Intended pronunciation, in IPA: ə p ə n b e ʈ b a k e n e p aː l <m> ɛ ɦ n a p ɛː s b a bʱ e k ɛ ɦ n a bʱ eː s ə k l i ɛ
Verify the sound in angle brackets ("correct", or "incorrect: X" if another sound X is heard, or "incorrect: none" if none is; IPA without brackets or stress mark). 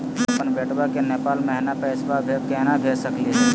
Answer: correct